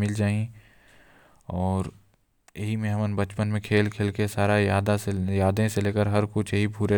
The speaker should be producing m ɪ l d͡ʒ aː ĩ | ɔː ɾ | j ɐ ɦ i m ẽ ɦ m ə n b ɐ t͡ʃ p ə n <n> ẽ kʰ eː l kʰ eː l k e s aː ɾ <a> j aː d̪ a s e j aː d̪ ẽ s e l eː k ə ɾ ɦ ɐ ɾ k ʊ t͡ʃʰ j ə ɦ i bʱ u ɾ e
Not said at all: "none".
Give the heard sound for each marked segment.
m, a

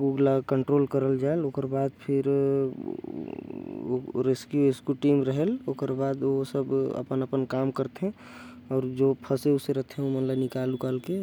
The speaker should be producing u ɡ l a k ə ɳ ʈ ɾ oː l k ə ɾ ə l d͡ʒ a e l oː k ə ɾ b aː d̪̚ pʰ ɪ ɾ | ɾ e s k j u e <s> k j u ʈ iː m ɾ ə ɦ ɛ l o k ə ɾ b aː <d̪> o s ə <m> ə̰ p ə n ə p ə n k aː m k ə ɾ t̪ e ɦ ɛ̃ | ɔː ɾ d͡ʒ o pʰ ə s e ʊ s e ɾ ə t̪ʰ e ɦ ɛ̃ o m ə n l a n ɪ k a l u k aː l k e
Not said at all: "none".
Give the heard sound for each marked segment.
s, d̪, b

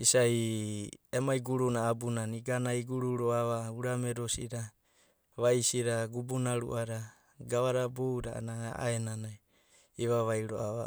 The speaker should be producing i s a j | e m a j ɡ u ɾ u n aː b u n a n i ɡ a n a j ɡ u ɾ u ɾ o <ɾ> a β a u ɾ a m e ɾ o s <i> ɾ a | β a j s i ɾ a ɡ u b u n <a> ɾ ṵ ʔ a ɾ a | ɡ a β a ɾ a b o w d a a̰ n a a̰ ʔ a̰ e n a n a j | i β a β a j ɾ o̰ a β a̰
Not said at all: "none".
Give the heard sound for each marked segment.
none, i, a

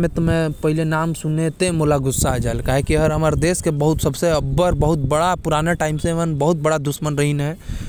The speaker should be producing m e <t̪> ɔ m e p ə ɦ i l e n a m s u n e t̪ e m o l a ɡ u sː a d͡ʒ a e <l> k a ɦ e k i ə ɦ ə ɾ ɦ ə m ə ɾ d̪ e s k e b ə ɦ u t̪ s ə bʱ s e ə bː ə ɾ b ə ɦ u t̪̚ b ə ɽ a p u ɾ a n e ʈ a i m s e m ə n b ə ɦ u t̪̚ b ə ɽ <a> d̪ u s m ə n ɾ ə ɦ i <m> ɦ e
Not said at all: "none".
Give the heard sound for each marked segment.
t̪, l, a, n

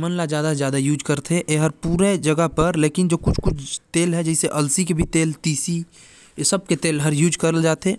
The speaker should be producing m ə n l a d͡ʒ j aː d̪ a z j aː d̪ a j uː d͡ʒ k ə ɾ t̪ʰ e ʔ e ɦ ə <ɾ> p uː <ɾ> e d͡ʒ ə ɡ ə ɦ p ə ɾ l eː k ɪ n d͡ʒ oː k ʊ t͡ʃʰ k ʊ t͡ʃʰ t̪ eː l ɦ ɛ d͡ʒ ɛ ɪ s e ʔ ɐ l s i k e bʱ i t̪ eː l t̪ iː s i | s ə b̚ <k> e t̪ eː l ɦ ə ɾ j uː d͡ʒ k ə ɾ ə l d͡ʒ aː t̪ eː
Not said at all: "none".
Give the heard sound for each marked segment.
ɾ, ɾ, k

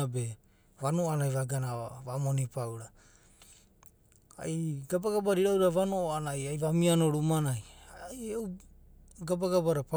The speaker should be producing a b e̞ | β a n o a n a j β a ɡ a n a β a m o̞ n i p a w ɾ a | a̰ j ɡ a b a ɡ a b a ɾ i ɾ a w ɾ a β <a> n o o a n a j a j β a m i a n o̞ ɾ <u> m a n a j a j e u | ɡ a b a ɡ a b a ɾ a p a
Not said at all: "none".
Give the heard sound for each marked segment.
a, u

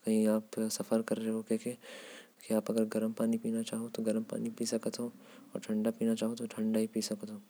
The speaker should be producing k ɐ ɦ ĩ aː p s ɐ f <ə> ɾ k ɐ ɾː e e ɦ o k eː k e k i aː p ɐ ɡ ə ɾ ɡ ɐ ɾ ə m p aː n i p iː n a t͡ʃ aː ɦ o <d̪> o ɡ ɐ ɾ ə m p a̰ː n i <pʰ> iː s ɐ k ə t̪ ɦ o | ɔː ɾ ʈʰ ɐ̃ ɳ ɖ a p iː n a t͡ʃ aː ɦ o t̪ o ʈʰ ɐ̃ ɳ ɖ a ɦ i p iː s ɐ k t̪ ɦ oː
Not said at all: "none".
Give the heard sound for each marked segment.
ə, t̪, p

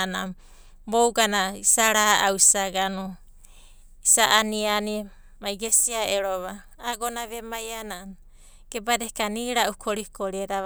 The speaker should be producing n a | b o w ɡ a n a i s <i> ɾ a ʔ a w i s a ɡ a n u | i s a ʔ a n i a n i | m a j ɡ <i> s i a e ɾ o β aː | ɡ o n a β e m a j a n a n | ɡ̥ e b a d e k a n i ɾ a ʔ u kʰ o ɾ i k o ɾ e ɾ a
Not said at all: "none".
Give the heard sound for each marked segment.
a, e

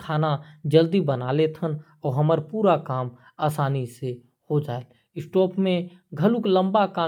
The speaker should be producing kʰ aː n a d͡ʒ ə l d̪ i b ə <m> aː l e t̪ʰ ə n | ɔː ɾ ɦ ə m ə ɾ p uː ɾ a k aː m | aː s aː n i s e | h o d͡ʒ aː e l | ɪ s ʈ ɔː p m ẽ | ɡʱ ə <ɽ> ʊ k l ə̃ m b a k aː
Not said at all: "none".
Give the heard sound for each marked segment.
n, l

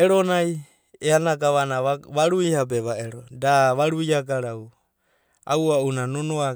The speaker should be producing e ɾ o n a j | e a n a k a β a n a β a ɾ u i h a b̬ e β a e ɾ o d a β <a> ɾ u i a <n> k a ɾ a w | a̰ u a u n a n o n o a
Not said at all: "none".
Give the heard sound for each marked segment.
a, none

